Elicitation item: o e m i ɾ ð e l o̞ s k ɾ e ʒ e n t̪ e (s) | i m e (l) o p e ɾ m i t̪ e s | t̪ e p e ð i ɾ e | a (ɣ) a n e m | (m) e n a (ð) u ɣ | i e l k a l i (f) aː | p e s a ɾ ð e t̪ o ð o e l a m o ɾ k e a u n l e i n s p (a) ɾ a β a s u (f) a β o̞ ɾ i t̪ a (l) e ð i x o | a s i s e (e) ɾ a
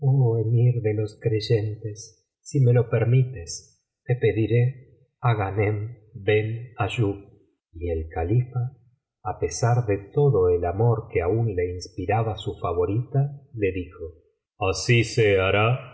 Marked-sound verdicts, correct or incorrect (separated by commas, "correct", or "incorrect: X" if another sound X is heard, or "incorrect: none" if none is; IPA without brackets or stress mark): incorrect: sː, correct, correct, incorrect: b, incorrect: ʒ, correct, incorrect: i, correct, correct, incorrect: a